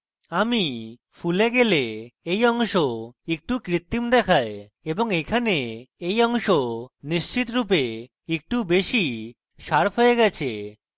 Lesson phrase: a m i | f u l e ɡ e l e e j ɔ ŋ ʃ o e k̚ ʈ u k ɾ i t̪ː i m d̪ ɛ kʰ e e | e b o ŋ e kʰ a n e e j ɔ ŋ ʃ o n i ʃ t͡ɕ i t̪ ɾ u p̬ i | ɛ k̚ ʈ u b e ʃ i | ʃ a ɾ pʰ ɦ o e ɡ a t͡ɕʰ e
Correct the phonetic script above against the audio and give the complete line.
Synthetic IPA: a m i | f u l e ɡ e l e e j ɔ ŋ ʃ o e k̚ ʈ u k ɾ i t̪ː i m d̪ ɛ kʰ a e | e b o ŋ e kʰ a n e e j ɔ ŋ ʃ o n i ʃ t͡ɕ i t̪ ɾ u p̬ e | e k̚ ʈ u b e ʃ i | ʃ a ɾ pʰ ɦ o e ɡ ɛ t͡ɕʰ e